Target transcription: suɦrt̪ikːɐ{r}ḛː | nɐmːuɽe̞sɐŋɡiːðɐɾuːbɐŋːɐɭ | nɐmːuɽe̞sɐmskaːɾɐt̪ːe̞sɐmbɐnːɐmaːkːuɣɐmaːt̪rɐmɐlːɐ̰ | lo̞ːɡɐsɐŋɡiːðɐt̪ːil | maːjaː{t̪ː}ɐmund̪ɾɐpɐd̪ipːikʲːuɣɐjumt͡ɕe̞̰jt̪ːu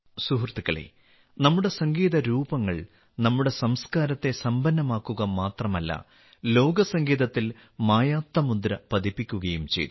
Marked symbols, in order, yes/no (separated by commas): no, yes